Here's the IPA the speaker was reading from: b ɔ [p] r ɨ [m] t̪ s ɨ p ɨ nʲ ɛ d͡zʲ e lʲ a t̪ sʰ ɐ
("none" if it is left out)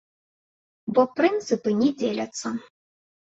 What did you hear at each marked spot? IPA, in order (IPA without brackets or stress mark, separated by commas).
p, n